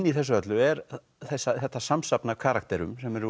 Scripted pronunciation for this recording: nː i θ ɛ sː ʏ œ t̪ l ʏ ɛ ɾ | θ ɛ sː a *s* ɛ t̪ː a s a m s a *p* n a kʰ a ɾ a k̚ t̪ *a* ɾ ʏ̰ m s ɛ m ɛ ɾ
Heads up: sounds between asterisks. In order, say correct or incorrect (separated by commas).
incorrect, correct, incorrect